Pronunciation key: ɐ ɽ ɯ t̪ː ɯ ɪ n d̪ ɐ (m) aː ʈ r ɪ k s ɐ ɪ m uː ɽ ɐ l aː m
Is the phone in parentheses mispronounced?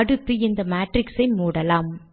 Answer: no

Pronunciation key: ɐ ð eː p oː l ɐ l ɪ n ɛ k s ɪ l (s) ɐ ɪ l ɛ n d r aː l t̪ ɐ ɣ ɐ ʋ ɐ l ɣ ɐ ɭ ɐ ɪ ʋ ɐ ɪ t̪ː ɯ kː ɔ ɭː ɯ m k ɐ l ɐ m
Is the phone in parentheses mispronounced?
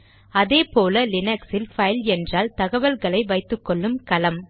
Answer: yes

